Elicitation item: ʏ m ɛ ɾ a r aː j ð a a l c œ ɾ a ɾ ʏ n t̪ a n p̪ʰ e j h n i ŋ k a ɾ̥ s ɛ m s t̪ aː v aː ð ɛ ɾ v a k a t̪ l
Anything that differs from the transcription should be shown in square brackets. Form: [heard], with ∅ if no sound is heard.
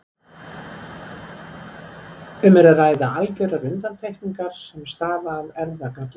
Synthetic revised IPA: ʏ m ɛ ɾ a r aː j ð a a l c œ ɾ a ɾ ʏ n t̪ a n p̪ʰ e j h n i ŋ k a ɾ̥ s ɛ m s t̪ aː v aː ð ɛ ɾ [ð] a k a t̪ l